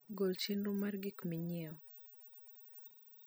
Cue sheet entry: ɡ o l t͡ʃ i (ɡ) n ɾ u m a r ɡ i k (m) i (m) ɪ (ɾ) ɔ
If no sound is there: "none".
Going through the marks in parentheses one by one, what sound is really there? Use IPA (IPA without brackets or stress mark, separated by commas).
none, m, ɲ, none